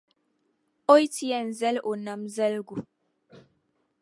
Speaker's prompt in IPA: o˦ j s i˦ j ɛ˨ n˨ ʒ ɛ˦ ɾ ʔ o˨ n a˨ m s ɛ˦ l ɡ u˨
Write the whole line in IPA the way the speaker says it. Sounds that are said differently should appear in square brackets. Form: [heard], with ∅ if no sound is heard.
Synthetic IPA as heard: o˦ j [t] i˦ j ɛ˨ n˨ [z] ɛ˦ [l] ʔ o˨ n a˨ m [z] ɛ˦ l ɡ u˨